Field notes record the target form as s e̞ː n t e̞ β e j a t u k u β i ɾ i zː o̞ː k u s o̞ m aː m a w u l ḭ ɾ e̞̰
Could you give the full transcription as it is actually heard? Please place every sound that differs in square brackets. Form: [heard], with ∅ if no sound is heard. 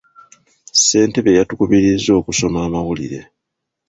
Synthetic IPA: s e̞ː n t e̞ β e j a t u k u β i ɾ i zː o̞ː k u s o̞ m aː m a w u l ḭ ɾ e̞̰

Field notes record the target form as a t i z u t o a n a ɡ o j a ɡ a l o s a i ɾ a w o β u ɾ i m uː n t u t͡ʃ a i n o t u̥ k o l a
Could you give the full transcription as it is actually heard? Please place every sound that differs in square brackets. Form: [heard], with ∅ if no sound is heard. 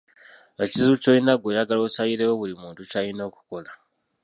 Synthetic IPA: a [t͡ʃ] i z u [t͡ʃ] o [i] n a ɡ o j a ɡ a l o s a i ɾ [e] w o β u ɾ i m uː n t u t͡ʃ a i n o [k] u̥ k o l a

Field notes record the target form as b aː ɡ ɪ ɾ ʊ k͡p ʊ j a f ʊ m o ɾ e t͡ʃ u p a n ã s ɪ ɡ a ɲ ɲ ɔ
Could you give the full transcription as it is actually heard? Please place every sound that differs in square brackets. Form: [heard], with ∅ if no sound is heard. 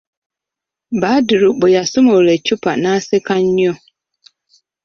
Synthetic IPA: b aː [d] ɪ ɾ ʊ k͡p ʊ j a [s] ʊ m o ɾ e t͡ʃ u p a n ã s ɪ [k] a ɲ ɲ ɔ

